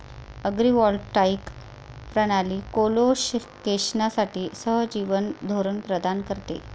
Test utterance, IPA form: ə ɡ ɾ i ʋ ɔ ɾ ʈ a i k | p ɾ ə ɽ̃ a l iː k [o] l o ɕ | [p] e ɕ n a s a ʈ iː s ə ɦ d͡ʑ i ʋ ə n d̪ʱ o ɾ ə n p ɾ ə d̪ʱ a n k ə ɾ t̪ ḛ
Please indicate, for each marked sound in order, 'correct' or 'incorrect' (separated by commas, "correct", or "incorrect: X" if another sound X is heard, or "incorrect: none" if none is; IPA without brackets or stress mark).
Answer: correct, incorrect: k